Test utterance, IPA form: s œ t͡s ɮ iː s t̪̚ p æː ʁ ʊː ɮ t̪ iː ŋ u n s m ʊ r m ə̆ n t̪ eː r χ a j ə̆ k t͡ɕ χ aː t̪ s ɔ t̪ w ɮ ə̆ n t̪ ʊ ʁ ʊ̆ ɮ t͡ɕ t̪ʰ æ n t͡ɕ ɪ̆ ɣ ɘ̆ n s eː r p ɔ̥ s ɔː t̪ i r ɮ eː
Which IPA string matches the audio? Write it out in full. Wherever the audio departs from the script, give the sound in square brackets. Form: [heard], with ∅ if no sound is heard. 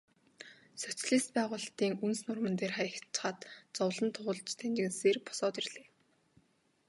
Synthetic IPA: s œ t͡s ɮ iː s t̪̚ p æː ʁ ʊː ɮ t̪ iː ŋ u n s [n] ʊ r m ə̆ n t̪ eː r χ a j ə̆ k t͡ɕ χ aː t̪ [t͡s] ɔ [∅] w ɮ ə̆ n [t̪ʰ] ʊ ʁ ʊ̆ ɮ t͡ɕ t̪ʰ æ n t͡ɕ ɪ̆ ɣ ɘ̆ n s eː r p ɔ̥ s ɔː t̪ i r ɮ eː